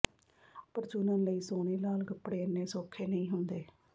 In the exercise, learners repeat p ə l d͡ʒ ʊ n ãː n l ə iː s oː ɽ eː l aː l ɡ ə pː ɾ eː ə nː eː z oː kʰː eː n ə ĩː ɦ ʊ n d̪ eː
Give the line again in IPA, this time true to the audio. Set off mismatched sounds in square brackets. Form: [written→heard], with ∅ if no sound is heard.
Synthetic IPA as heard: p ə [l→ɾ] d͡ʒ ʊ n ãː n l ə iː s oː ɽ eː l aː l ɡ ə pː [ɾ→ɽ] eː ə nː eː [z→s] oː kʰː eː n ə ĩː ɦ ʊ n d̪ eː

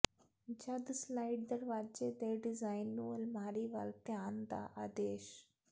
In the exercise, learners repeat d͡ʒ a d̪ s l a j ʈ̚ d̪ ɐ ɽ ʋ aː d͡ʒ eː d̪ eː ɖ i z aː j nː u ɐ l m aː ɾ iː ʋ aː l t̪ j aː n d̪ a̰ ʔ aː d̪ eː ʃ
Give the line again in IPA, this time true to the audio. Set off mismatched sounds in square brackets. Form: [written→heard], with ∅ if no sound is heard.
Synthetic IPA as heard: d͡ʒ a d̪ s l a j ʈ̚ d̪ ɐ [ɽ→ɾ] ʋ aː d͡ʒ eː d̪ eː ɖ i z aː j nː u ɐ l m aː ɾ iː ʋ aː l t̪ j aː n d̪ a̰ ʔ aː d̪ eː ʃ

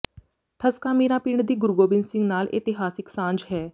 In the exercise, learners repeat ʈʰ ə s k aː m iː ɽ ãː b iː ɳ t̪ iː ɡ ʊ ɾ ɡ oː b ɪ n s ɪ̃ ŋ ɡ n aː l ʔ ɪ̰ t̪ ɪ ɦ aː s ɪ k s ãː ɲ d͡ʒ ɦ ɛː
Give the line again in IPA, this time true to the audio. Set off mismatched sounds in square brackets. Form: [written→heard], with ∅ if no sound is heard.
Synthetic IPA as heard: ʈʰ ə s k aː m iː [ɽ→ɾ] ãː [b→p] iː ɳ [t̪→d̪] iː ɡ ʊ ɾ ɡ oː b ɪ n s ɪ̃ ŋ ɡ n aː l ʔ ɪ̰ t̪ ɪ ɦ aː s ɪ k s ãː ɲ d͡ʒ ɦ ɛː

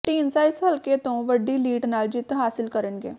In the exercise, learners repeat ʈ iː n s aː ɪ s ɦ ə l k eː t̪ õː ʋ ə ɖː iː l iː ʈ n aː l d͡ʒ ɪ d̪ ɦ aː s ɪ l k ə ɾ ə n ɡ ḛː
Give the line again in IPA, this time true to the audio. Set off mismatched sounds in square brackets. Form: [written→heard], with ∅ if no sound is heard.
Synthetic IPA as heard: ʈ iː n s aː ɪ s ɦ ə l k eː t̪ õː ʋ ə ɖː iː l iː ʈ n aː l d͡ʒ ɪ [d̪→t̪] ɦ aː s ɪ l k ə ɾ ə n ɡ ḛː

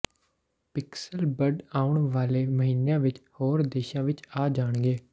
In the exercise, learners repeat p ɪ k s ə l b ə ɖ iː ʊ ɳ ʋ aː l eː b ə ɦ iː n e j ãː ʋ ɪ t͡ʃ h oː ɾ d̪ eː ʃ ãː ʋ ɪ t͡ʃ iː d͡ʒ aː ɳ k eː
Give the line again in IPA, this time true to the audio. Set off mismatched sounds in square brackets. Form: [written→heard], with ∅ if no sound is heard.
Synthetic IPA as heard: p ɪ k s ə l b ə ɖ [iː→aː] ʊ ɳ ʋ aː l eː [b→m] ə ɦ iː n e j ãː ʋ ɪ t͡ʃ h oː ɾ d̪ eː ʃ ãː ʋ ɪ t͡ʃ [iː→aː] d͡ʒ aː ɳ [k→ɡ] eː

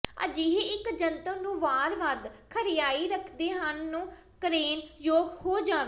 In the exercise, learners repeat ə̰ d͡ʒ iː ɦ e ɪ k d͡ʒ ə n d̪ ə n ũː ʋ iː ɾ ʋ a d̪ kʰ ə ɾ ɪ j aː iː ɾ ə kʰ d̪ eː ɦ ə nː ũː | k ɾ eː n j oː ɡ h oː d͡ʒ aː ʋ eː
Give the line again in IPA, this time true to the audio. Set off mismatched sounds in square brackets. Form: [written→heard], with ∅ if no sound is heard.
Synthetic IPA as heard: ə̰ d͡ʒ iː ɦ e ɪ k d͡ʒ ə n [d̪→t̪] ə n ũː ʋ [iː→aː] ɾ ʋ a d̪ kʰ ə ɾ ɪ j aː iː ɾ ə kʰ d̪ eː ɦ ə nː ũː | k ɾ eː n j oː ɡ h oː d͡ʒ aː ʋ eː

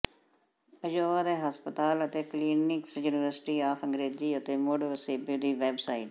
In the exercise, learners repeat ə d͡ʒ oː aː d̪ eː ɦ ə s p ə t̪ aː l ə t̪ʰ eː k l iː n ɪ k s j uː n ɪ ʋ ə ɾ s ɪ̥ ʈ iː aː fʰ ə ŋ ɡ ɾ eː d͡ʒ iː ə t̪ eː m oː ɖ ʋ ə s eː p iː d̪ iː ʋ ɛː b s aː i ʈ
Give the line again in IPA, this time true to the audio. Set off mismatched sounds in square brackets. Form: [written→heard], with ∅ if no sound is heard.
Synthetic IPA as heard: ə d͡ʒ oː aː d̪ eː ɦ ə s p ə t̪ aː l ə [t̪ʰ→t̪] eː k l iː n ɪ k s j uː n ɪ ʋ ə ɾ s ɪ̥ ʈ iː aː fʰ ə ŋ ɡ ɾ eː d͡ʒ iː ə t̪ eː m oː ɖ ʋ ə s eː [p→b] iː d̪ iː ʋ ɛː b s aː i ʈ

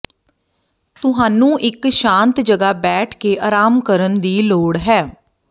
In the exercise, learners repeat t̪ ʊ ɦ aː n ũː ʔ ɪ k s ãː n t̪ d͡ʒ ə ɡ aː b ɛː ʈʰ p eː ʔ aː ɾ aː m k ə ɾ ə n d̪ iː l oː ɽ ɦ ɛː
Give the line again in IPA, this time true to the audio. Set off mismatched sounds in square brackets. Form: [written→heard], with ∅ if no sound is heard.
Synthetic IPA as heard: t̪ ʊ ɦ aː n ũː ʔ ɪ k [s→ʃ] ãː n t̪ d͡ʒ ə ɡ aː b ɛː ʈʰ [p→k] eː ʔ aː ɾ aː m k ə ɾ ə n d̪ iː l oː ɽ ɦ ɛː

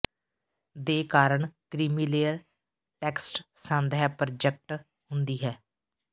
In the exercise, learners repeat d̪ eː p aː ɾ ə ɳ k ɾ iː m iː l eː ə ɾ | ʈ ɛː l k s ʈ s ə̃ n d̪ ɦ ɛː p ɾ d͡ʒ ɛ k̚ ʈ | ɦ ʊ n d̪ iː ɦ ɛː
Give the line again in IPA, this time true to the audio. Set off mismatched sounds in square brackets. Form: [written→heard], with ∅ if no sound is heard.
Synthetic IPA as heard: d̪ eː [p→k] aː ɾ ə ɳ k ɾ iː m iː l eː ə ɾ | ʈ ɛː [l→∅] k s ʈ s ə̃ n d̪ ɦ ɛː p ɾ d͡ʒ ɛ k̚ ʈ | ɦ ʊ n d̪ iː ɦ ɛː

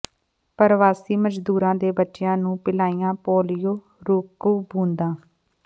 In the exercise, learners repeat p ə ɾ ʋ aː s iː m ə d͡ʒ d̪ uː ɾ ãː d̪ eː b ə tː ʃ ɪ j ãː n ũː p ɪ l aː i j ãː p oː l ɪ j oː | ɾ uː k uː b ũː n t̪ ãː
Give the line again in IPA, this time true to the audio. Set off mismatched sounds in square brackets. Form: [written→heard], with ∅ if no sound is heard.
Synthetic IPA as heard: p ə ɾ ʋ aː s iː m ə d͡ʒ d̪ uː ɾ ãː d̪ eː b ə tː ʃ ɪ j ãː n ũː p ɪ l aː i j ãː p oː l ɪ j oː | ɾ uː k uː b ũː n [t̪→d̪] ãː

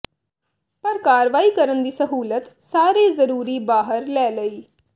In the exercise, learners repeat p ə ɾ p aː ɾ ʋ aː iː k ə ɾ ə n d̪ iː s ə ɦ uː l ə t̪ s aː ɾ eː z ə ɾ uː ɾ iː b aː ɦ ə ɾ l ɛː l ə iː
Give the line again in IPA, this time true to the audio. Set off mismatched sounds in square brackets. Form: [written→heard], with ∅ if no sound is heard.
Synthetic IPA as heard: p ə ɾ [p→k] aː ɾ ʋ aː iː k ə ɾ ə n d̪ iː s ə ɦ uː l ə t̪ s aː ɾ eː z ə ɾ uː ɾ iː b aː ɦ ə ɾ l ɛː l ə iː

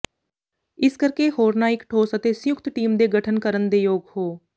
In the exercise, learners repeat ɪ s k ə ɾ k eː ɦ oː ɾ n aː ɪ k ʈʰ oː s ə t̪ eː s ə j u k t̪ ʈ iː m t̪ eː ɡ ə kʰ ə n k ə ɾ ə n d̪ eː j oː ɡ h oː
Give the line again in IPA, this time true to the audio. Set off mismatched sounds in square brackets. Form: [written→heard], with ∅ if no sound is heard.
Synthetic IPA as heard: ɪ s k ə ɾ k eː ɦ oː ɾ n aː ɪ k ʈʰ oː s ə t̪ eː s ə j [u→ʊ] k t̪ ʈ iː m [t̪→d̪] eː ɡ ə [kʰ→ʈʰ] ə n k ə ɾ ə n d̪ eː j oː ɡ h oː

